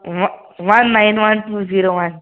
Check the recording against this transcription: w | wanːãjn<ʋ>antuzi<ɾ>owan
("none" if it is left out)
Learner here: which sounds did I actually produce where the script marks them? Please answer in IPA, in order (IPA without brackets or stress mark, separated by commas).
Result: w, ɾ